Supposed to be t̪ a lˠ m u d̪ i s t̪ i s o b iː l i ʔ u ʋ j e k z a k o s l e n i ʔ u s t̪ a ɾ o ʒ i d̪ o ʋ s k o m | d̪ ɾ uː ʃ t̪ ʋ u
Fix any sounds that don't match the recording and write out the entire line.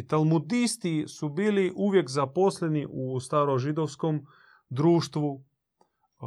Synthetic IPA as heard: t̪ a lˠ m u d̪ i s t̪ i s u b iː l i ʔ u ʋ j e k z a p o s l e n i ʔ u s t̪ a ɾ o ʒ i d̪ o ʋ s k o m | d̪ ɾ uː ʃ t̪ ʋ u